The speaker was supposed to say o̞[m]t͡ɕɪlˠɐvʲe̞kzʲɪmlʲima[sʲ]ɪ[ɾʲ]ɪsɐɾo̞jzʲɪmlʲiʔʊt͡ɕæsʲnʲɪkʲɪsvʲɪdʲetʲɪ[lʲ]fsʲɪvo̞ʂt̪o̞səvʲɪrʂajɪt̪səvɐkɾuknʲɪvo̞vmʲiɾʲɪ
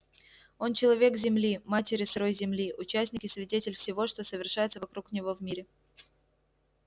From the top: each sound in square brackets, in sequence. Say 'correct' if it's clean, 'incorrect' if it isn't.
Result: incorrect, incorrect, correct, correct

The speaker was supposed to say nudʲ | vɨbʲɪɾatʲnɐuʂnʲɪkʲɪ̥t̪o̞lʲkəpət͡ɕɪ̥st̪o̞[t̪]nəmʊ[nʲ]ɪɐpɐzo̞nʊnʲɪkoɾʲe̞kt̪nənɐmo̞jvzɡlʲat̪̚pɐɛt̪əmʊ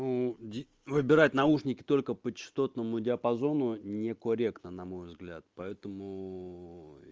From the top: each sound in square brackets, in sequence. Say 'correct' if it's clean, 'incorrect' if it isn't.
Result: correct, incorrect

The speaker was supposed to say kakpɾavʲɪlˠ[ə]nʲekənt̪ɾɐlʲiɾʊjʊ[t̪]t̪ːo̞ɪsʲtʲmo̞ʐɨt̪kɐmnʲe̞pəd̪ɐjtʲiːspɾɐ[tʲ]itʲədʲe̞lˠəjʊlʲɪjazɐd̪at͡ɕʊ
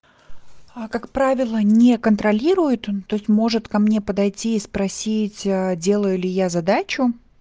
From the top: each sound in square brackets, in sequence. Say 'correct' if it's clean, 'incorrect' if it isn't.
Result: correct, correct, incorrect

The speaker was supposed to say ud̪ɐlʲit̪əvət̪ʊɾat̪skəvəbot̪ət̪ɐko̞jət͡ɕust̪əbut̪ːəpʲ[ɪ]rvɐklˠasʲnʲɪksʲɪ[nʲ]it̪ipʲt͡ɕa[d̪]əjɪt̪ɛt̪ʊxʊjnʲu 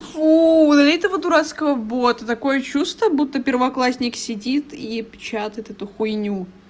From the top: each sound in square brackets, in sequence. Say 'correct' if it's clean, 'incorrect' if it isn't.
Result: correct, incorrect, incorrect

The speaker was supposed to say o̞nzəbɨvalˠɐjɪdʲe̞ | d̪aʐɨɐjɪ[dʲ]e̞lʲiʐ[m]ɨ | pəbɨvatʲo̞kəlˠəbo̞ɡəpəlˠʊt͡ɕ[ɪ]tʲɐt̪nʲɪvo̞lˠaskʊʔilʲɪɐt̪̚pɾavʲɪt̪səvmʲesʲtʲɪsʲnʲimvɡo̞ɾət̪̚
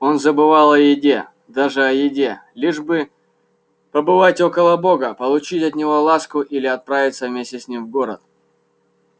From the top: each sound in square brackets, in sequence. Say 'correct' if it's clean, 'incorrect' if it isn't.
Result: correct, incorrect, incorrect

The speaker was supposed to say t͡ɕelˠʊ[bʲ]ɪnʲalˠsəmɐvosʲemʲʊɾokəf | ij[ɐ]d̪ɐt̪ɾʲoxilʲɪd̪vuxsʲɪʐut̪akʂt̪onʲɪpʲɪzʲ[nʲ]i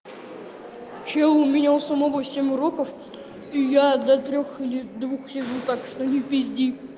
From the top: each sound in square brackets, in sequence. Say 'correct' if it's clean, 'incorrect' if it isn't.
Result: incorrect, incorrect, incorrect

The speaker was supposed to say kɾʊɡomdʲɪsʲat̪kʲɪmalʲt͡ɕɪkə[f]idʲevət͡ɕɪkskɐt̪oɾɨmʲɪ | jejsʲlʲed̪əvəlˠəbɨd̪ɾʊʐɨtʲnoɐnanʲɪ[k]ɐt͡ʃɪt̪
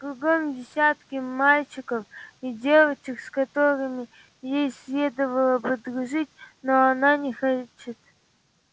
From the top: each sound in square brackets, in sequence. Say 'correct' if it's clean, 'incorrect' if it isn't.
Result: correct, incorrect

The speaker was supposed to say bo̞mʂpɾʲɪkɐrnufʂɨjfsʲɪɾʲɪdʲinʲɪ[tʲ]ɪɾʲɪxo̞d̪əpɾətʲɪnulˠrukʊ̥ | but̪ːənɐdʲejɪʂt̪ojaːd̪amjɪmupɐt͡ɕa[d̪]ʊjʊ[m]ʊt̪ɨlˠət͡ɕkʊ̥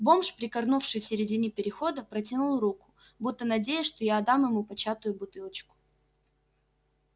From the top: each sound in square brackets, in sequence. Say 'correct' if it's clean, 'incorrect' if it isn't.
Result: incorrect, incorrect, incorrect

